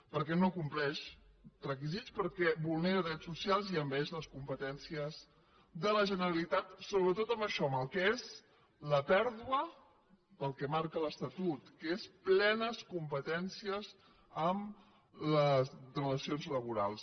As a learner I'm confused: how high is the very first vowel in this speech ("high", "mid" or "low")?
mid